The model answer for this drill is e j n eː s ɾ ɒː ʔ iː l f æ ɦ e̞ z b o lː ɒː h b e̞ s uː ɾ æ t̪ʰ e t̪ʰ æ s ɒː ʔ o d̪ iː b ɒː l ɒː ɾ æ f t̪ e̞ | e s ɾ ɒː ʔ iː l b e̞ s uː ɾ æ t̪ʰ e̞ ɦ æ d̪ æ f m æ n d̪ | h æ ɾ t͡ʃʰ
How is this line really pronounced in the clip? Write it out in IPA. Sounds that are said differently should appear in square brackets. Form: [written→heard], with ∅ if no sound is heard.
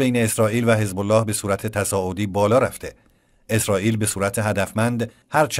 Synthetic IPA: e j n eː s ɾ ɒː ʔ iː l [f→v] æ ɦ e̞ z b o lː ɒː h b e̞ s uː ɾ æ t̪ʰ e t̪ʰ æ s ɒː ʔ o d̪ iː b ɒː l ɒː ɾ æ f t̪ e̞ | e s ɾ ɒː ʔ iː l b e̞ s uː ɾ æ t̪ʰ e̞ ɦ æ d̪ æ f m æ n d̪ | h æ ɾ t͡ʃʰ

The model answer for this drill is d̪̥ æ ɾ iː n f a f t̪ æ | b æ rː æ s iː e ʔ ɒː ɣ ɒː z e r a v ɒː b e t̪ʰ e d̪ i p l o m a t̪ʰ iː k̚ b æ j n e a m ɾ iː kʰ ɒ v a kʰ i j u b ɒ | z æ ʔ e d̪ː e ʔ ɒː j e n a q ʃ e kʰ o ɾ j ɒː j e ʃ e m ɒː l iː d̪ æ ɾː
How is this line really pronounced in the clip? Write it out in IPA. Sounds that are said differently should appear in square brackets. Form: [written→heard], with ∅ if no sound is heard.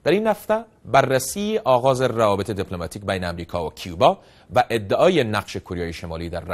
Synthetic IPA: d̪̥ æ ɾ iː n [f→h] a f t̪ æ | b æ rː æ s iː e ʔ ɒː ɣ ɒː z e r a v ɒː b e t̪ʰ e d̪ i p l o m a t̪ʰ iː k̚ b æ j n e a m ɾ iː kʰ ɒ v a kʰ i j u b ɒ | [z→v] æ ʔ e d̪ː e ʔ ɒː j e n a q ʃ e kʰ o ɾ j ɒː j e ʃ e m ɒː l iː d̪ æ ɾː

